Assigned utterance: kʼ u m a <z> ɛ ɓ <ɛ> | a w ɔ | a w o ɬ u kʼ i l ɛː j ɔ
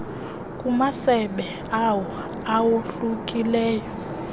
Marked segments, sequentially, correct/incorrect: incorrect: s, correct

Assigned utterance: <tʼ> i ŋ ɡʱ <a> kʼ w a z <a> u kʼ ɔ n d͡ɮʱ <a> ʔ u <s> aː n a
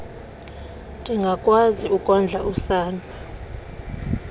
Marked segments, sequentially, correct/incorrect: correct, correct, incorrect: i, correct, correct

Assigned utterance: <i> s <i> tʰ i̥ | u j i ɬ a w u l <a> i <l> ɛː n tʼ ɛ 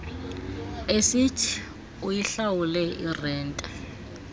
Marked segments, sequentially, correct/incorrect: incorrect: e, correct, incorrect: ɛ, incorrect: r

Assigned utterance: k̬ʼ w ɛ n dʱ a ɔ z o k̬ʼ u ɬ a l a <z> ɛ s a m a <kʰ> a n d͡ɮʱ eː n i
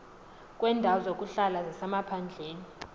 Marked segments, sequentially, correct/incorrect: correct, incorrect: pʰ

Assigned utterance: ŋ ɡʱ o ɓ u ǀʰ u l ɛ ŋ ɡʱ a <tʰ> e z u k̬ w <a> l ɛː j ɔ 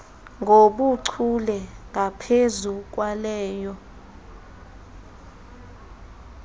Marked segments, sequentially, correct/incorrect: incorrect: pʰ, correct

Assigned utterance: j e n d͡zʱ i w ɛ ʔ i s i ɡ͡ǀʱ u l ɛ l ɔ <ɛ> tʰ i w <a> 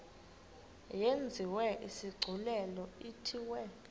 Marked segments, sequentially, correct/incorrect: incorrect: i, incorrect: ɛ

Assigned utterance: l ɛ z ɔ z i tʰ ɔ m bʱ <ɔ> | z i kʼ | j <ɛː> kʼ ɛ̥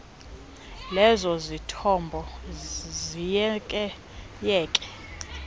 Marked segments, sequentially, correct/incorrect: correct, correct

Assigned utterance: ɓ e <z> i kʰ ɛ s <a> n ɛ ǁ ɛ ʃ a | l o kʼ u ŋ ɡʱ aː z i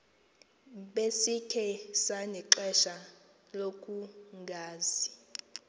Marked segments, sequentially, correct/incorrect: incorrect: s, correct

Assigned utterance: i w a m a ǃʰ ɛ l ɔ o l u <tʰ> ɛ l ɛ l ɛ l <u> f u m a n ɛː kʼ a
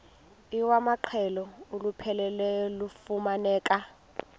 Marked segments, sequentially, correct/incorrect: incorrect: pʰ, correct

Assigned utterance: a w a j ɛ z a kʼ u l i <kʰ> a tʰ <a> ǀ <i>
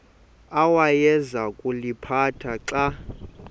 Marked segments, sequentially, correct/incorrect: incorrect: pʰ, correct, incorrect: a

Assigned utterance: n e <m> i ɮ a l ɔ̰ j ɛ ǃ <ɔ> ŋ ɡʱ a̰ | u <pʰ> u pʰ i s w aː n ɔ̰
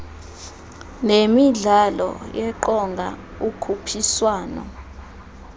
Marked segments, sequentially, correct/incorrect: correct, correct, incorrect: kʰ

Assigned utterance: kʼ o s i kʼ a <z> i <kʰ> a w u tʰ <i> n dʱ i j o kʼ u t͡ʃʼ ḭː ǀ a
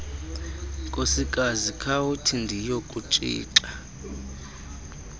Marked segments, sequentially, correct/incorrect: correct, correct, correct

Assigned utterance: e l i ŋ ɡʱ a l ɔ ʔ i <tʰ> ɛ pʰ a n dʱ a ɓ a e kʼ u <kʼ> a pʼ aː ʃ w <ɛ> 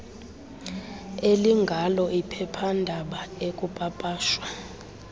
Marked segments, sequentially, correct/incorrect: incorrect: pʰ, incorrect: pʼ, incorrect: a

